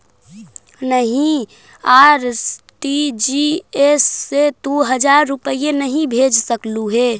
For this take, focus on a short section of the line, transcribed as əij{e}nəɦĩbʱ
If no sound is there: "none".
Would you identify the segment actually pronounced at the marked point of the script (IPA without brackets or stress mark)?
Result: e